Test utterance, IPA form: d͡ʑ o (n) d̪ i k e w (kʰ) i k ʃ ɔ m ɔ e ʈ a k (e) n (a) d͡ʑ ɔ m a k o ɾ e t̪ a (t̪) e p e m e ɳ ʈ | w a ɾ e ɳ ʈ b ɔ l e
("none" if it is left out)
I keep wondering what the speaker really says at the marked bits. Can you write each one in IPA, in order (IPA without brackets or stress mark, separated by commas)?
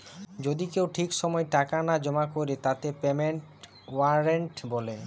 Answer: none, ʈʰ, a, a, t̪